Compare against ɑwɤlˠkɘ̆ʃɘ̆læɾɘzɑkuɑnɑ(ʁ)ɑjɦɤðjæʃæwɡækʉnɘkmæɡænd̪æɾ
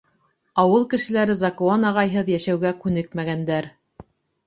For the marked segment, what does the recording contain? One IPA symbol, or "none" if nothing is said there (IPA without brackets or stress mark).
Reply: ʁ